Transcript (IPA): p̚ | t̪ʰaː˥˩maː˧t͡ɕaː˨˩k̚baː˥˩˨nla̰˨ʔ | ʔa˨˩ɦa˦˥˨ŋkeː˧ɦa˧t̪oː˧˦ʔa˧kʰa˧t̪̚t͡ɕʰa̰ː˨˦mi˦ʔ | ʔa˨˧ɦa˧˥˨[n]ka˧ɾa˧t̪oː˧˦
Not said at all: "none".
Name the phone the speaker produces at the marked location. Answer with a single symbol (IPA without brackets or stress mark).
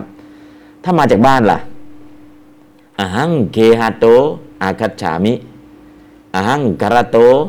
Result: ŋ